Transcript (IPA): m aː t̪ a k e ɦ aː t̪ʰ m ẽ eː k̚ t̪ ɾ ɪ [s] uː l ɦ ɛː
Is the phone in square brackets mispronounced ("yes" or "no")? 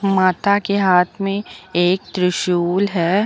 yes